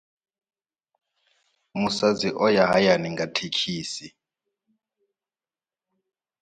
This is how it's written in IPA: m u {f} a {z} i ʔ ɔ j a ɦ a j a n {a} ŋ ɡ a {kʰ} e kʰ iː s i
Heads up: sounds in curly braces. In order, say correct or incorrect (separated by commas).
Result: incorrect, correct, incorrect, incorrect